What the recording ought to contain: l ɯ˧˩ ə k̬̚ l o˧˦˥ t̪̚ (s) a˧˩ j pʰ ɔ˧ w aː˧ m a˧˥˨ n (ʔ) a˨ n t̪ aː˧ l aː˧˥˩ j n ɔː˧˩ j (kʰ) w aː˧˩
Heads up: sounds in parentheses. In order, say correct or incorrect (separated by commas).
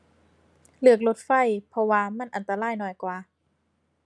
incorrect, correct, incorrect